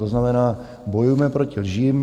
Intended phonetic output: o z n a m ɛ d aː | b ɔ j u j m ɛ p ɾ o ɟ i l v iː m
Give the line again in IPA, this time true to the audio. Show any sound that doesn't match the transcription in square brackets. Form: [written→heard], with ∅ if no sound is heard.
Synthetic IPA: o z n a m ɛ [d→n] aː | b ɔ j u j m ɛ p ɾ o [ɟ→c] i l [v→ʒ] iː m